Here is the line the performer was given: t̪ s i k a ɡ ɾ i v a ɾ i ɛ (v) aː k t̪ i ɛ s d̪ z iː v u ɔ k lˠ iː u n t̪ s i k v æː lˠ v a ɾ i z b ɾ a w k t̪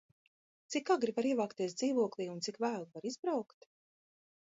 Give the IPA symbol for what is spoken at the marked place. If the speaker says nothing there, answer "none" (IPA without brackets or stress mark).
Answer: v